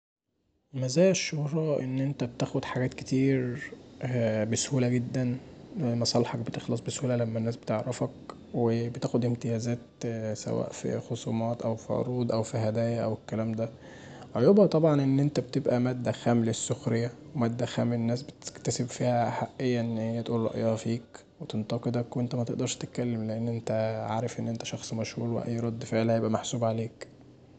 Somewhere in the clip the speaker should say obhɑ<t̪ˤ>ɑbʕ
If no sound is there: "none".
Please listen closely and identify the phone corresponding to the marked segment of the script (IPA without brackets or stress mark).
t̪ˤ